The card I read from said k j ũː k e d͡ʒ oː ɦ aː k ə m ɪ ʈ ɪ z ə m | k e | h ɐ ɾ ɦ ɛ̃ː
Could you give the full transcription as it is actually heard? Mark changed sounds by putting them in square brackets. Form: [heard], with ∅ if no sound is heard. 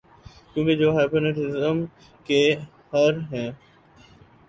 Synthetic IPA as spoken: k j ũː k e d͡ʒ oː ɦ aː [p] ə [n] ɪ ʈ ɪ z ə m | k e | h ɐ ɾ ɦ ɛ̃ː